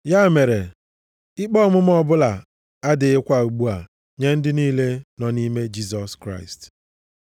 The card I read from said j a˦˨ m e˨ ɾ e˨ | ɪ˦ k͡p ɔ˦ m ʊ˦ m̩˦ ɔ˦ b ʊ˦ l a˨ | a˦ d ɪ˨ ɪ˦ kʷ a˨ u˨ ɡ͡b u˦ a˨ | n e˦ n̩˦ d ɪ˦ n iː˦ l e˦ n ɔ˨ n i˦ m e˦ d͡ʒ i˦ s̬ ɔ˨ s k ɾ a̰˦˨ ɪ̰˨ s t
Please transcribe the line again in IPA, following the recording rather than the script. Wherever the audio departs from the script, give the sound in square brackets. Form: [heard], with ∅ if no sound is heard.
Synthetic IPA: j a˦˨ m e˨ ɾ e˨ | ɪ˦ k͡p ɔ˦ m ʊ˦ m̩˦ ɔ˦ b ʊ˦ l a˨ | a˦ d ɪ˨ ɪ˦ kʷ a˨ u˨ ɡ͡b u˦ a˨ | [ɲ] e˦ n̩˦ d ɪ˦ n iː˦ l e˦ n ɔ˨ n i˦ m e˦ d͡ʒ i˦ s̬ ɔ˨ s k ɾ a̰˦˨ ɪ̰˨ s t